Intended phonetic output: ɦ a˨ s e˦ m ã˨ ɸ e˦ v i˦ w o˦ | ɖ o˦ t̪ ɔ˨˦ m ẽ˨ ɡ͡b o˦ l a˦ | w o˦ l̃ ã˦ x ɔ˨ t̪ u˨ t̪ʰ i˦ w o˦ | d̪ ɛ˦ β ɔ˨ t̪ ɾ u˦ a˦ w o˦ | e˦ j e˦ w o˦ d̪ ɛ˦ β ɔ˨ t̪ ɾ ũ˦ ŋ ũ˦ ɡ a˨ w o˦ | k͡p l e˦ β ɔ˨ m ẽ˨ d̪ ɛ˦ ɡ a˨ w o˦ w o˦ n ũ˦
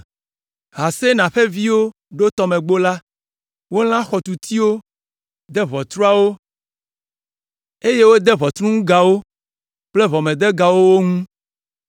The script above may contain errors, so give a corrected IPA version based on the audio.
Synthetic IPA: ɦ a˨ s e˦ n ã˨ ɸ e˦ v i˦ w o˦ | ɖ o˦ t̪ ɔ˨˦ m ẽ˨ ɡ͡b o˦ l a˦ | w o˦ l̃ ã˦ x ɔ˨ t̪ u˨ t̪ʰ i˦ w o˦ | d̪ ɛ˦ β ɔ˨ t̪ ɾ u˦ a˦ w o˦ | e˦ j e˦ w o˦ d̪ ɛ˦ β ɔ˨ t̪ ɾ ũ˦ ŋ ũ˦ ɡ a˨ w o˦ | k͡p l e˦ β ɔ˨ m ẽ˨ d̪ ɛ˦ ɡ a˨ w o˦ w o˦ ŋ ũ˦